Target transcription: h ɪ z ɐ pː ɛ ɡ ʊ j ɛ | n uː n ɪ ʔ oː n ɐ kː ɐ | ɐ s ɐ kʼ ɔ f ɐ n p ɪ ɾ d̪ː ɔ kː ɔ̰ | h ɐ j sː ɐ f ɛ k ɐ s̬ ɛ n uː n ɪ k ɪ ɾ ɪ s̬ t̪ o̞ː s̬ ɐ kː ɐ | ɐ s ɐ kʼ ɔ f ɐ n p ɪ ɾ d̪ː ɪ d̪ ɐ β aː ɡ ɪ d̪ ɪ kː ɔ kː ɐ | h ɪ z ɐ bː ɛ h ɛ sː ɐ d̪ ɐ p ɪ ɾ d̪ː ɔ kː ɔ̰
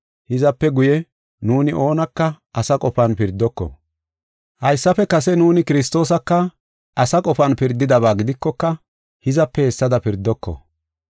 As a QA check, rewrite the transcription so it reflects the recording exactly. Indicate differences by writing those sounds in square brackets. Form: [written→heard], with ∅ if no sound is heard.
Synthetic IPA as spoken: h ɪ z ɐ pː ɛ ɡ ʊ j ɛ | n uː n ɪ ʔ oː n ɐ kː ɐ | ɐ s ɐ kʼ ɔ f ɐ n p ɪ ɾ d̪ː ɔ kː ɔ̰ | h ɐ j sː ɐ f ɛ k ɐ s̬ ɛ n uː n ɪ k ɪ ɾ ɪ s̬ t̪ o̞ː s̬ ɐ kː ɐ | ɐ s ɐ kʼ ɔ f ɐ n p ɪ ɾ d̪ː ɪ d̪ ɐ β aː ɡ ɪ d̪ ɪ kː ɔ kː ɐ | h ɪ z ɐ [bː→pː] ɛ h ɛ sː ɐ d̪ ɐ p ɪ ɾ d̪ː ɔ kː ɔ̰